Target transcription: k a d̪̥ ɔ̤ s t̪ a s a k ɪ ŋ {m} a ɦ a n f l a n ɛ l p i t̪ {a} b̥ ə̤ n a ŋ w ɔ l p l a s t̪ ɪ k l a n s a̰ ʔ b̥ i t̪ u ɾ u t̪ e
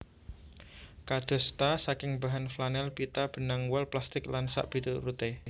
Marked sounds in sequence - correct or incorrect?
incorrect: b, correct

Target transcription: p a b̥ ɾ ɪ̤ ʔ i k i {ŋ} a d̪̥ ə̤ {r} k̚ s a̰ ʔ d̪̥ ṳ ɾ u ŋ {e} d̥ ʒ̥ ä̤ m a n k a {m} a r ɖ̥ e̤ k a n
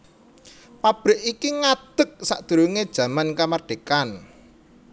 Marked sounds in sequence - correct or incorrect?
correct, incorrect: none, correct, correct

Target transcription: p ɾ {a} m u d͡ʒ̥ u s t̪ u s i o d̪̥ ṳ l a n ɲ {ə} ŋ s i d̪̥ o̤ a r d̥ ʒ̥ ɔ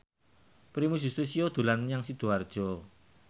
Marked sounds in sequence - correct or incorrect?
incorrect: i, incorrect: a

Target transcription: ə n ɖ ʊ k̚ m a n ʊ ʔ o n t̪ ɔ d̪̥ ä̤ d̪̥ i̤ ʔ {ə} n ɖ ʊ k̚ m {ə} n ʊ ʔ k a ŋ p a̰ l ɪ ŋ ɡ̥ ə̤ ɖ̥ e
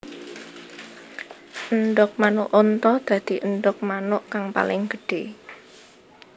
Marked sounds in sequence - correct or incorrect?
correct, incorrect: a

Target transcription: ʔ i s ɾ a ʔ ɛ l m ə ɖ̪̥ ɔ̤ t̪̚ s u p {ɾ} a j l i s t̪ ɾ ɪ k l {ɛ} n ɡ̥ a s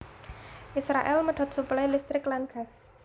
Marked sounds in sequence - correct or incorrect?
incorrect: l, incorrect: a

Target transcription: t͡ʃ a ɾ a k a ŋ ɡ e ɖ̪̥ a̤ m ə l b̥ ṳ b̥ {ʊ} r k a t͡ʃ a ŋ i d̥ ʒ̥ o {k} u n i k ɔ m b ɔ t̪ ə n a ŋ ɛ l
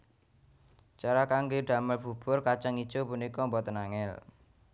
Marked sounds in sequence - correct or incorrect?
correct, incorrect: p

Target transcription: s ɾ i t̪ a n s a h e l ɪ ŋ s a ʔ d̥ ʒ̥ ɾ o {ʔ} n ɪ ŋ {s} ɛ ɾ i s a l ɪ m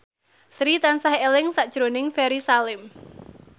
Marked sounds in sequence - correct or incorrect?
incorrect: none, incorrect: f

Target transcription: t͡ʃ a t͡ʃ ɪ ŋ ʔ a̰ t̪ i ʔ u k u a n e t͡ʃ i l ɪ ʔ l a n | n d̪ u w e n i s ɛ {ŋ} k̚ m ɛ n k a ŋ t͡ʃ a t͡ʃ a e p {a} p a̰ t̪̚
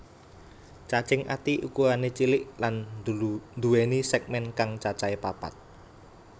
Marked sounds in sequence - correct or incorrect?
incorrect: none, correct

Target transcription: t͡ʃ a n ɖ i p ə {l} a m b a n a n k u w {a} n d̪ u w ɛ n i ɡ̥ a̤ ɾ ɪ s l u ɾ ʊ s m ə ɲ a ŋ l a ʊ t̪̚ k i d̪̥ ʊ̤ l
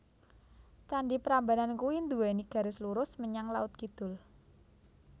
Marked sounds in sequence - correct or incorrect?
incorrect: ɾ, incorrect: i

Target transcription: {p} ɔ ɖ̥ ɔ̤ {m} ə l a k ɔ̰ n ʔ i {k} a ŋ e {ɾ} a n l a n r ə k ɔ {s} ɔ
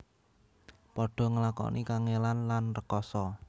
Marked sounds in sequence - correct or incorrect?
correct, incorrect: ŋ, correct, incorrect: l, correct

